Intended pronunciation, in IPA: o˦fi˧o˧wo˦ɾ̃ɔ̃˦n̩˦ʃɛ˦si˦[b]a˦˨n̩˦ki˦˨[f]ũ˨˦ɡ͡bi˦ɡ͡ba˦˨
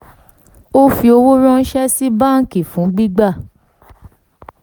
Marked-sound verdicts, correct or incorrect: correct, correct

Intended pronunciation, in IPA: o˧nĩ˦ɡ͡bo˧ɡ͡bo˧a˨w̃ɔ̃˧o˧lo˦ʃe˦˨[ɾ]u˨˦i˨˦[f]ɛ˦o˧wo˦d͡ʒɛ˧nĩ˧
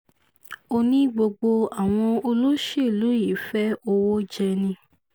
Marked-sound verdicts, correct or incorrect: incorrect, correct

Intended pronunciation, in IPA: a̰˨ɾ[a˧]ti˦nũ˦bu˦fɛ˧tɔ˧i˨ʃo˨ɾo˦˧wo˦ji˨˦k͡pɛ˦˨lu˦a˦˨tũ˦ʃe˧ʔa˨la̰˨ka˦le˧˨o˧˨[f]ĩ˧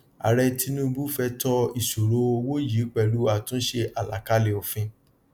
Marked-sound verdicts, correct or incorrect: incorrect, correct

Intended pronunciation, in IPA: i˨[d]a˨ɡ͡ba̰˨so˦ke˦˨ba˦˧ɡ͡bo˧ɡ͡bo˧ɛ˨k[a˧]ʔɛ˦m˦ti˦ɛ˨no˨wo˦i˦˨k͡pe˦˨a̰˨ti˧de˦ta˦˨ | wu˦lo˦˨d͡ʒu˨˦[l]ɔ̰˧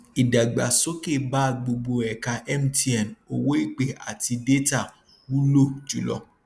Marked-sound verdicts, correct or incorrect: correct, correct, correct

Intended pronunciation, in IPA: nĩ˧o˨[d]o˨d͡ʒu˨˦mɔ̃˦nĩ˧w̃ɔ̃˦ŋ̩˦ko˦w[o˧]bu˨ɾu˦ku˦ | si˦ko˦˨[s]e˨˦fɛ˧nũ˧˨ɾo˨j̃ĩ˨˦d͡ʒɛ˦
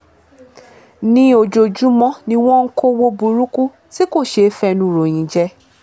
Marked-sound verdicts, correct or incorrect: incorrect, correct, incorrect

